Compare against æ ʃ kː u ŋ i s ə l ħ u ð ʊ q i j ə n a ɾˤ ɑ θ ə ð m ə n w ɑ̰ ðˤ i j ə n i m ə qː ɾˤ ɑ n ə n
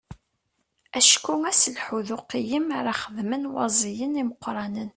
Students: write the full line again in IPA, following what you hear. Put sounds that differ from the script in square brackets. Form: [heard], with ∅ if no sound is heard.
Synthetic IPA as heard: æ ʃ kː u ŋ [æ] s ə l ħ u ð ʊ q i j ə [m] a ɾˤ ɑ [χ] ə ð m ə n w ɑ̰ [zˤ] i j ə n i m ə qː ɾˤ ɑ n ə n